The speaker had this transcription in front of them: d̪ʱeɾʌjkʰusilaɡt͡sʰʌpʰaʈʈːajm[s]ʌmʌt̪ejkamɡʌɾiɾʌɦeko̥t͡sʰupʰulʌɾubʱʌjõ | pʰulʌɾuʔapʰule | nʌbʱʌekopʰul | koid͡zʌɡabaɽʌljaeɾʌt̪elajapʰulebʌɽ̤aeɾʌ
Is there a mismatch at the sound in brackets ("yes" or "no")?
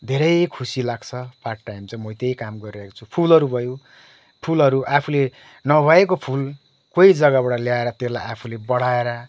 yes